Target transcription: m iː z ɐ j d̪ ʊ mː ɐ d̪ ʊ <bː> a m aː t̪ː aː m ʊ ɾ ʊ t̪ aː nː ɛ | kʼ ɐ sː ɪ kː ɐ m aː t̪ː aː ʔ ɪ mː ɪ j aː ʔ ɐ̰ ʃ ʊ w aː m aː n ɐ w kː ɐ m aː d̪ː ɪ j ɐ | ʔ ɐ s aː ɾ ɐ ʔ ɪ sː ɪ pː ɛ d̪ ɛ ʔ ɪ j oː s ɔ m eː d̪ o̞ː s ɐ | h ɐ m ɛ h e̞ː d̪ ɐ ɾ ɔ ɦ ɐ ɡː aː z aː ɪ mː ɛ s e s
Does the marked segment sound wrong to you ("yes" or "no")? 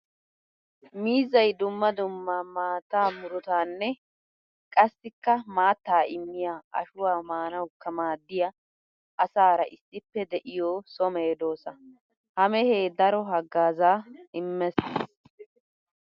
yes